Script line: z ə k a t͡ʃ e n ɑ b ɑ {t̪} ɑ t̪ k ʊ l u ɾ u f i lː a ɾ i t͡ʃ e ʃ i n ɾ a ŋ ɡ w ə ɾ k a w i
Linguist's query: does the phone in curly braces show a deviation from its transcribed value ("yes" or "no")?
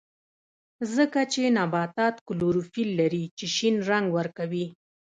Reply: no